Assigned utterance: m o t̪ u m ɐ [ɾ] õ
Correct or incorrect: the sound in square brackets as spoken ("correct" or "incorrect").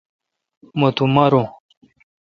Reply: correct